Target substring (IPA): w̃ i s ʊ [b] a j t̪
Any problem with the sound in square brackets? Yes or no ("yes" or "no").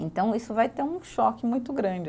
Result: yes